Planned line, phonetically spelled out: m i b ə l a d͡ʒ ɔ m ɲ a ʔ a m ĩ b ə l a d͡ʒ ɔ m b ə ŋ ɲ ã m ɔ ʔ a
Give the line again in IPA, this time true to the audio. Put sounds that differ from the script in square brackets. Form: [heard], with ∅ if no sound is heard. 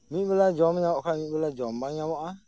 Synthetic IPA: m i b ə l a d͡ʒ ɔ m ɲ a [k] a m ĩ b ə l a d͡ʒ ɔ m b [a] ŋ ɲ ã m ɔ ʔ a